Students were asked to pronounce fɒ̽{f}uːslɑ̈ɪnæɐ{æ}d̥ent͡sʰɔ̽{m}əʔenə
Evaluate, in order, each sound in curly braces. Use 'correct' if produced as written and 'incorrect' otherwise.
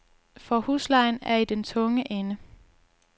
incorrect: h, incorrect: i, incorrect: ŋ

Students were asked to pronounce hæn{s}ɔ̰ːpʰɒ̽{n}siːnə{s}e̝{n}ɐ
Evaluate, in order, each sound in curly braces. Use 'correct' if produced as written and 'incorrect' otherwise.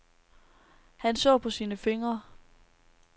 correct, incorrect: none, incorrect: f, incorrect: ŋ

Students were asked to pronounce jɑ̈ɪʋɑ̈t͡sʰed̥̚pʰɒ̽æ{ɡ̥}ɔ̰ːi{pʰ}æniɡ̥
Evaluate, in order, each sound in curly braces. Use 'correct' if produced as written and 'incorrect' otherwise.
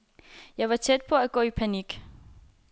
correct, correct

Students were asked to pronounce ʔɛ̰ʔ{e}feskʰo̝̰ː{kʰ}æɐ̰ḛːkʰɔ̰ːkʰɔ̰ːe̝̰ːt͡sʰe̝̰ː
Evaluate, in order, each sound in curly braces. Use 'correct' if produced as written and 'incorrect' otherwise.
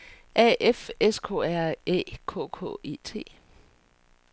correct, incorrect: none

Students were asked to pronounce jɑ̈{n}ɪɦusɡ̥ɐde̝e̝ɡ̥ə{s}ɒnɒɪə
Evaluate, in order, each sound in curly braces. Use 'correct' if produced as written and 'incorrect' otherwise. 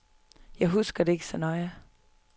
incorrect: none, correct

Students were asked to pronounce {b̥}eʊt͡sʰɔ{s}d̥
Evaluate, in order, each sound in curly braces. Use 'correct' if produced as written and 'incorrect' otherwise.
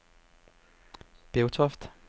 correct, incorrect: f

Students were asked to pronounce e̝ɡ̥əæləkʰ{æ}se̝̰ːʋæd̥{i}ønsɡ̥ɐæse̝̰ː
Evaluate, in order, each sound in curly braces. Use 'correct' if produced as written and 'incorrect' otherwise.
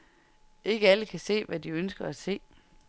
correct, correct

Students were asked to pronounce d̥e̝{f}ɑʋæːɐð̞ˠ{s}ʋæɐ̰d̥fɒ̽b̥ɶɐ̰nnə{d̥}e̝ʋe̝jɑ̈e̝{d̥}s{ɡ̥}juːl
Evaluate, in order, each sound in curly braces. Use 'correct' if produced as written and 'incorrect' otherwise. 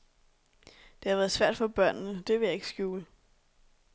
incorrect: h, correct, correct, incorrect: ɡ̥, correct

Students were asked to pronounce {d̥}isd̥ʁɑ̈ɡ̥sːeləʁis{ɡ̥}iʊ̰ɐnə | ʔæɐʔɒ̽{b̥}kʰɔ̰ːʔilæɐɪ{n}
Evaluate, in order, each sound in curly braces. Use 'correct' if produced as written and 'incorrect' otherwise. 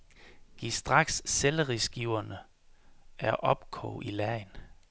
incorrect: ɡ̥, correct, correct, correct

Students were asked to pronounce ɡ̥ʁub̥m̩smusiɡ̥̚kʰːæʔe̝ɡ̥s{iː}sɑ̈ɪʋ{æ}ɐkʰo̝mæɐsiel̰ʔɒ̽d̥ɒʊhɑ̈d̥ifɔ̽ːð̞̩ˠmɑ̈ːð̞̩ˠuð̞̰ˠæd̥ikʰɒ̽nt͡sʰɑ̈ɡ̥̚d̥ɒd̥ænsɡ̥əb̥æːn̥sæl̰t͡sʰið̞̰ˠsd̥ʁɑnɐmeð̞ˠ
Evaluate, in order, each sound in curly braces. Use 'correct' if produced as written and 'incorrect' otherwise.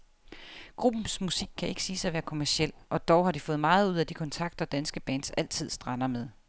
correct, incorrect: æː

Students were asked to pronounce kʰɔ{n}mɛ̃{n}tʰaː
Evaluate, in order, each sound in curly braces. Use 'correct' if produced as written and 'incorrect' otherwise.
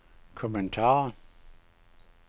incorrect: none, correct

